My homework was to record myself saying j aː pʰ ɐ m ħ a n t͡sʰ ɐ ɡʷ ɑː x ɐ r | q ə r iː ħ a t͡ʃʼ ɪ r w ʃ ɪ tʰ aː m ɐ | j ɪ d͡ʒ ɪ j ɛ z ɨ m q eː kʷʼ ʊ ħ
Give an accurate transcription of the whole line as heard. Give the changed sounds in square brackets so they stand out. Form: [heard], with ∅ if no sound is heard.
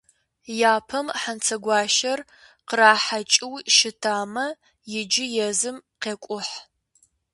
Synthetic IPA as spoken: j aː pʰ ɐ m ħ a n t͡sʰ ɐ ɡʷ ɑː [ʃ] ɐ r | q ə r [aː] ħ a t͡ʃʼ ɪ [∅] w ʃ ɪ tʰ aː m ɐ | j ɪ d͡ʒ ɪ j ɛ z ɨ m q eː kʷʼ ʊ ħ